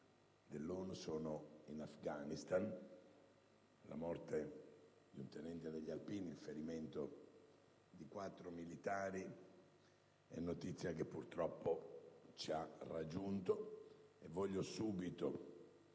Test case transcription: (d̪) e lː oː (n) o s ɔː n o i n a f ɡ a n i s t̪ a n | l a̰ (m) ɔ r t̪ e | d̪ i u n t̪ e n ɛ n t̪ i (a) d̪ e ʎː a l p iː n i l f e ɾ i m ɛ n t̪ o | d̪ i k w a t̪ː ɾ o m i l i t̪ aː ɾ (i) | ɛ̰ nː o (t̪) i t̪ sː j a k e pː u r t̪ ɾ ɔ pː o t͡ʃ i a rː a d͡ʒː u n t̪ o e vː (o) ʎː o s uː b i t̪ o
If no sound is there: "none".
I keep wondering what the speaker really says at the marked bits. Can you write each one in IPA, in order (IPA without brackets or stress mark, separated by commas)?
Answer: d̪, n, m, a, i, t̪, ɔ